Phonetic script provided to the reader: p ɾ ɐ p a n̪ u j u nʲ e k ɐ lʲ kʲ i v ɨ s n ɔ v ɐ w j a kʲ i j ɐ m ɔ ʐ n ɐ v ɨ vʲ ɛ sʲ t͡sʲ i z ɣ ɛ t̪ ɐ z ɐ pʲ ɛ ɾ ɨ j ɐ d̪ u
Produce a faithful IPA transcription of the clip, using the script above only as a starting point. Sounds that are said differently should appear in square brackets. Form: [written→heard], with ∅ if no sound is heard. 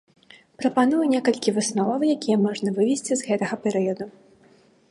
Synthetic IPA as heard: p ɾ ɐ p a n̪ u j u nʲ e k ɐ lʲ kʲ i v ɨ s n ɔ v ɐ w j a kʲ i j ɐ m ɔ ʐ n ɐ v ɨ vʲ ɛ sʲ t͡sʲ i z ɣ ɛ t̪ ɐ [z→ɣ] ɐ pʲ ɛ ɾ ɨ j ɐ d̪ u